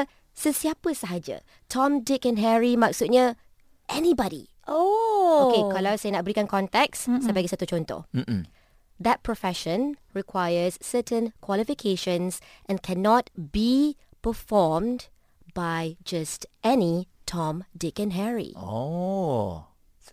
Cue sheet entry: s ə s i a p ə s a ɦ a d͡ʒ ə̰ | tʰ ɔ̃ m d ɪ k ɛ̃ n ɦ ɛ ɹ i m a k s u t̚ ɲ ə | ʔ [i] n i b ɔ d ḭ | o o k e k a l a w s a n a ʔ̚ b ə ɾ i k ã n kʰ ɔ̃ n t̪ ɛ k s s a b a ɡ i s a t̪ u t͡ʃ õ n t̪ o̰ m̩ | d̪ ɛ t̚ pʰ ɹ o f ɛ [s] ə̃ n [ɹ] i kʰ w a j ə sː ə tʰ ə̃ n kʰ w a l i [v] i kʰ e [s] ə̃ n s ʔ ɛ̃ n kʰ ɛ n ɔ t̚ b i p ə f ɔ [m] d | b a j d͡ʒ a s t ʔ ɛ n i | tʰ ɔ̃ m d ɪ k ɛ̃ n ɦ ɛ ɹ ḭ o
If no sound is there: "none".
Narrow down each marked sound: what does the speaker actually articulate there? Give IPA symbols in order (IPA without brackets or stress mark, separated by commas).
ɛ, ʃ, ɹ, f, ʃ, m